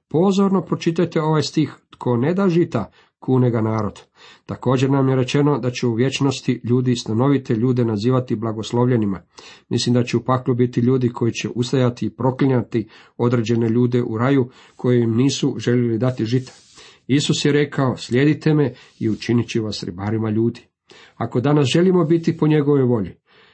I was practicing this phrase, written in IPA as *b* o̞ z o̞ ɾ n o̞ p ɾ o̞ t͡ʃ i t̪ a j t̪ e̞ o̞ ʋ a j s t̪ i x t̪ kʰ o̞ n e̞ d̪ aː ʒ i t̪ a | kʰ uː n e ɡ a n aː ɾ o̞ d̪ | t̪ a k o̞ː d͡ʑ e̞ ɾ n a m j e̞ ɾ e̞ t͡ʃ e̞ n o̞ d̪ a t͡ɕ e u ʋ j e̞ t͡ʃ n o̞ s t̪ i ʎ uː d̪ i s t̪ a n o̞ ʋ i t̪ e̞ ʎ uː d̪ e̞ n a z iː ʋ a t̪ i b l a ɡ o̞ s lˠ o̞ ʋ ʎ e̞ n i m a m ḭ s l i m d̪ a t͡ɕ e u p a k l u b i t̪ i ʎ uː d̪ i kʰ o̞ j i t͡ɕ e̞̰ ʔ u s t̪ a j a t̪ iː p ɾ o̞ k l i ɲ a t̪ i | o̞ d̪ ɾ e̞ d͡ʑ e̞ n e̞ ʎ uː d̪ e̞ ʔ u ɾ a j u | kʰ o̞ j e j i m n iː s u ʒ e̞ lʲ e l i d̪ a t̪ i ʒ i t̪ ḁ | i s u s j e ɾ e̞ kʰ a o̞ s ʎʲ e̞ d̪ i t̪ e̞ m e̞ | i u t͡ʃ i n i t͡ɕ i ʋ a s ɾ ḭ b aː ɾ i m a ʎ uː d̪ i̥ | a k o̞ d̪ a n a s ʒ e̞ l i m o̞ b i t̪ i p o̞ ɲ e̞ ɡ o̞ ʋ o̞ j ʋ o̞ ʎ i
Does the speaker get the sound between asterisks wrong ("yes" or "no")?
yes